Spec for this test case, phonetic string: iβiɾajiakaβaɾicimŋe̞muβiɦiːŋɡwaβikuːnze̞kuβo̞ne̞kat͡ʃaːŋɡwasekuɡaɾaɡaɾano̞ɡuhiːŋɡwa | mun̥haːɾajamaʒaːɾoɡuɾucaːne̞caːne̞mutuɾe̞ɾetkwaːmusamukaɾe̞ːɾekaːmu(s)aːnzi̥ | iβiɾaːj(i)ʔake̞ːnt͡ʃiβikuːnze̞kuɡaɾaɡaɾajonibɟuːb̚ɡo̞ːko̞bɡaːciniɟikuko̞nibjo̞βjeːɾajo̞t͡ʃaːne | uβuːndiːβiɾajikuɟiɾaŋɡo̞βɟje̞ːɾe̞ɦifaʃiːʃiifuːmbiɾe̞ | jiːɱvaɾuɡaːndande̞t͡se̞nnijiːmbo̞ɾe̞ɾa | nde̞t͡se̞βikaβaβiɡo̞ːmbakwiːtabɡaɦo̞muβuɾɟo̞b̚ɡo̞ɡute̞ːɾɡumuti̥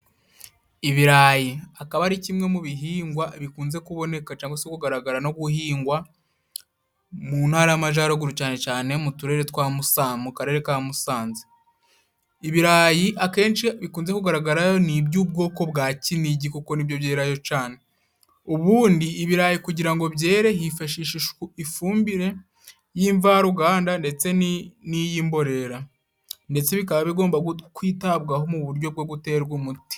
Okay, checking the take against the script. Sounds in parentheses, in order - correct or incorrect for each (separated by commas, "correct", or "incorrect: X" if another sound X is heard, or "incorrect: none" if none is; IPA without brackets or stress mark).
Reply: correct, correct